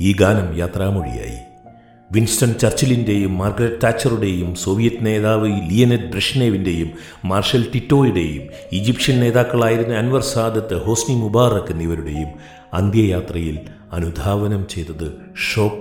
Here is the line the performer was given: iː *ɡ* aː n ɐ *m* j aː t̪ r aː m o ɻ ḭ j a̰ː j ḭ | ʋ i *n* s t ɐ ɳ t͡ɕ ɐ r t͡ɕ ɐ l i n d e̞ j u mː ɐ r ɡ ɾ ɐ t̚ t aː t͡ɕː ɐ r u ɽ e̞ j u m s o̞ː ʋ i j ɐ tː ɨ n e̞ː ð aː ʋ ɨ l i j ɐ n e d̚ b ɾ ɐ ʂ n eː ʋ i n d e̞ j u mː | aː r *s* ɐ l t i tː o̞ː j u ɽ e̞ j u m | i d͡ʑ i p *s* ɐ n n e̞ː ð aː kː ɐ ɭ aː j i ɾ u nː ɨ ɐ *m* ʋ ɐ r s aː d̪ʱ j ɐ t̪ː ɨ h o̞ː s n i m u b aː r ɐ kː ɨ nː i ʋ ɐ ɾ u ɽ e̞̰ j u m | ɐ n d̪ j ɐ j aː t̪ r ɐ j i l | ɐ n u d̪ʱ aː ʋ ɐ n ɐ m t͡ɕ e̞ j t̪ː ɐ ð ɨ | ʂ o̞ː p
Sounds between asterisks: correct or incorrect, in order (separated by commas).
correct, correct, correct, incorrect, incorrect, incorrect